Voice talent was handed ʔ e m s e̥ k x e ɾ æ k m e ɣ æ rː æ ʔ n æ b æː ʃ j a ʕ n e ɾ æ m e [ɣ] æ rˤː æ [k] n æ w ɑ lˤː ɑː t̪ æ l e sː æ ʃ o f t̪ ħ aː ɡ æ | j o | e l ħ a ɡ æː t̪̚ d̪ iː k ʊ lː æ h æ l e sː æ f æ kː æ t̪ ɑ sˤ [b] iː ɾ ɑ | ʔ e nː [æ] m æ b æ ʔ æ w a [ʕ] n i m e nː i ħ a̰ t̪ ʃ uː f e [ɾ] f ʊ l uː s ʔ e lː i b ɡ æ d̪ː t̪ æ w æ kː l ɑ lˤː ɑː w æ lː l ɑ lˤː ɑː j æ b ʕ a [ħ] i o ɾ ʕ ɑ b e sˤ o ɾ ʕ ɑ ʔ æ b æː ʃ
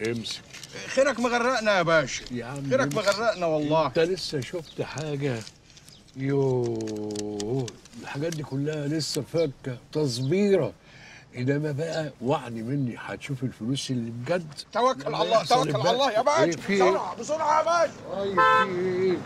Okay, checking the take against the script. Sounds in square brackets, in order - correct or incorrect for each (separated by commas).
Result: correct, incorrect, correct, correct, correct, incorrect, incorrect